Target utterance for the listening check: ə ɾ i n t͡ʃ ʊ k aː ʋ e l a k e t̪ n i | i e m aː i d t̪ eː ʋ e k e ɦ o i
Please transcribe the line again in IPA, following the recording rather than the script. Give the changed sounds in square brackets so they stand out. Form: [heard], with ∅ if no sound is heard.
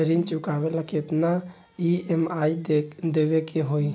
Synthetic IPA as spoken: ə ɾ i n t͡ʃ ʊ k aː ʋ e l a k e t̪ n [a] | i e m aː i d [d̪] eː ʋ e k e ɦ o i

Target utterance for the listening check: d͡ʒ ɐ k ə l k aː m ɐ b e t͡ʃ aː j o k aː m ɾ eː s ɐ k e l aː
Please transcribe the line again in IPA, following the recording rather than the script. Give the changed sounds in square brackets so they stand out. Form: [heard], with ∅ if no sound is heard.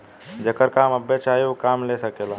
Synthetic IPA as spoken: d͡ʒ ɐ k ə [ɾ] k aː m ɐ b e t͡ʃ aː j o k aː m [l] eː s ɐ k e l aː

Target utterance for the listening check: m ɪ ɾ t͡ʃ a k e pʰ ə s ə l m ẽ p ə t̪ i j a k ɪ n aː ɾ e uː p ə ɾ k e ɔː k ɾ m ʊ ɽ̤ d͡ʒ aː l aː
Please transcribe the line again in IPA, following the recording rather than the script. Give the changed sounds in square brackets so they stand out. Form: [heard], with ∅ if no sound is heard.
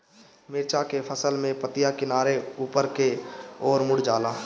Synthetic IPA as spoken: m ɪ ɾ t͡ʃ a k e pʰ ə s ə l m ẽ p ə t̪ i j a k ɪ n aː ɾ e uː p ə ɾ k e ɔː [∅] ɾ m ʊ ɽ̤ d͡ʒ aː l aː

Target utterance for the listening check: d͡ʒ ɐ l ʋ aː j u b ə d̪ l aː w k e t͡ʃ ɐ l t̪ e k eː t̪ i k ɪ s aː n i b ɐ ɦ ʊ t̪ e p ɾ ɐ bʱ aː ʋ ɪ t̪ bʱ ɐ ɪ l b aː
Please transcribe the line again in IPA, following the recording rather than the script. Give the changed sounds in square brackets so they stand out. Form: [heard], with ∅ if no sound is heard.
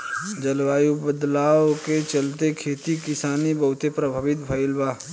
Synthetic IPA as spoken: d͡ʒ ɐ l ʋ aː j u b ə d̪ l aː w k e t͡ʃ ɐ l t̪ e [kʰ] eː t̪ i k ɪ s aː n i b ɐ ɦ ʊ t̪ e p ɾ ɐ bʱ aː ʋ ɪ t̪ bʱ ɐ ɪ l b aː

